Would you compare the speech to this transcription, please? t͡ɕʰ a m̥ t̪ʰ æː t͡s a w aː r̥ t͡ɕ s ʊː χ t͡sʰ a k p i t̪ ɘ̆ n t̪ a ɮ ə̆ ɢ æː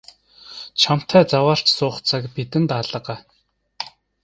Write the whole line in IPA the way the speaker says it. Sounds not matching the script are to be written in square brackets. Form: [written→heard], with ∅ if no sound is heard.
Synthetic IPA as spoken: t͡ɕʰ a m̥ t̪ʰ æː t͡s a w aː r̥ t͡ɕ s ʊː χ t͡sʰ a k p i t̪ ɘ̆ n t̪ a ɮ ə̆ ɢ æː